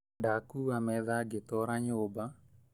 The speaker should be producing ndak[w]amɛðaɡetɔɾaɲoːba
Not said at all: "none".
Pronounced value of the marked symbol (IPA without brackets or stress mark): u